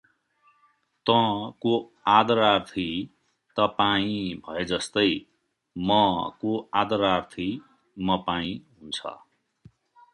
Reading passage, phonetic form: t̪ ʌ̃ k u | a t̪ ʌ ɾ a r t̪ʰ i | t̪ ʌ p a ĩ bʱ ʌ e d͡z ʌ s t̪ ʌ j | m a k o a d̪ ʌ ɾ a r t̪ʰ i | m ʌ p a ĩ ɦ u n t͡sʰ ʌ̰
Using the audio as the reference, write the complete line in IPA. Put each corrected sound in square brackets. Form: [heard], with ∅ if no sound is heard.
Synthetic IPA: t̪ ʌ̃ k [o] | a [d̪] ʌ ɾ a r t̪ʰ i | t̪ ʌ p a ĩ bʱ ʌ e d͡z ʌ s t̪ ʌ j | m [ʌ] k o a d̪ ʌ ɾ a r t̪ʰ i | m ʌ p a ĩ ɦ u n t͡sʰ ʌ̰